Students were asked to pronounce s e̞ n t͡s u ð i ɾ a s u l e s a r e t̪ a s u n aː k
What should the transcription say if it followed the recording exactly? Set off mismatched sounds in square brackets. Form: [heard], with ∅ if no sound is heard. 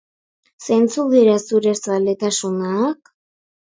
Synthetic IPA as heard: s e̞ n t͡s u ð i ɾ a s u [ɾ] e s a [l] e t̪ a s u n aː k

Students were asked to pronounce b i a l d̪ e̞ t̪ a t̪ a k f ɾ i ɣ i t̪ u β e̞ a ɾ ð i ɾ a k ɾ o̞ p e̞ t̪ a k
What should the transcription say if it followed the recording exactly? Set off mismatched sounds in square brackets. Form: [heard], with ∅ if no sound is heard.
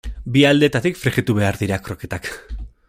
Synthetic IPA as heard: b i a l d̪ e̞ t̪ a t̪ [i] k f ɾ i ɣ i t̪ u β e̞ a ɾ ð i ɾ a k ɾ o̞ [k] e̞ t̪ a k

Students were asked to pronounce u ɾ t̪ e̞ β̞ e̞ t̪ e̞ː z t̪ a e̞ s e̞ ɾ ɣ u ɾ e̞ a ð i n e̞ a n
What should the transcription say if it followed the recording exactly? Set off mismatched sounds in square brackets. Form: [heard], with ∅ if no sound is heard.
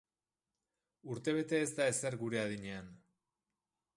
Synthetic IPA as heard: u ɾ t̪ e̞ β̞ e̞ t̪ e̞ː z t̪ a e̞ s e̞ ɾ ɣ u ɾ e̞ a ð i [ɲ] e̞ a n

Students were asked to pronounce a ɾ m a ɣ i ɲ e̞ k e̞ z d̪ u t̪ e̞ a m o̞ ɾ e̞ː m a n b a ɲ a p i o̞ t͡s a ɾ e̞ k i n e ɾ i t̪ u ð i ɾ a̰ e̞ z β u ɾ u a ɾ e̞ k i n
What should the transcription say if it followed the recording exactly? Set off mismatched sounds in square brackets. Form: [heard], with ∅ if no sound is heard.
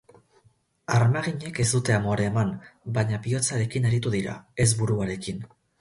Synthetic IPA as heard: a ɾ m a ɣ i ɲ e̞ k e̞ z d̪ u t̪ e̞ a m o̞ ɾ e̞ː m a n b a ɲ a p i o̞ t͡s a ɾ e̞ k i n e ɾ i t̪ u ð i ɾ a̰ e̞ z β u ɾ u a ɾ e̞ k i n

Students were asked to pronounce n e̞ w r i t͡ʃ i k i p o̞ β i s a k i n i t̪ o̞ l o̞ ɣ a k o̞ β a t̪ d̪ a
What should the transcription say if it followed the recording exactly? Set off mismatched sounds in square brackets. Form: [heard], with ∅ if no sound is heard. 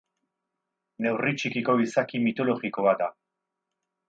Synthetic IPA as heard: n e̞ w r i t͡ʃ i k i [k] o̞ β i s a k i [m] i t̪ o̞ l o̞ ɣ [i] k o̞ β a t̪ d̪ a

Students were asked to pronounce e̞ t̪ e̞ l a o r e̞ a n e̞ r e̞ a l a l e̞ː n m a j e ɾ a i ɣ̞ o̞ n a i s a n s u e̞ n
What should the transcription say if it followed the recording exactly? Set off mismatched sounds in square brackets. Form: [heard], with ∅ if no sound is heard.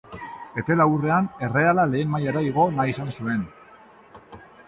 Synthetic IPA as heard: e̞ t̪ e̞ l a [u] r e̞ a n e̞ r e̞ a l a l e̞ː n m a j [a] ɾ a i ɣ̞ o̞ n a i s a n s u e̞ n

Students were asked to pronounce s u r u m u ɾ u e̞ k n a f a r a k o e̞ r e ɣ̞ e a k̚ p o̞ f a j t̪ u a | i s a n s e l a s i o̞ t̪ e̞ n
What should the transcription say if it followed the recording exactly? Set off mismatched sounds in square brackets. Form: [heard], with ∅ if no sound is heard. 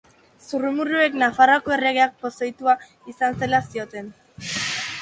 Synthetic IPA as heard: s u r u m u ɾ u e̞ k n a f a r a k o e̞ r e ɣ̞ e a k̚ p o̞ [s] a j t̪ u a | i s a n s e l a s i o̞ t̪ e̞ n

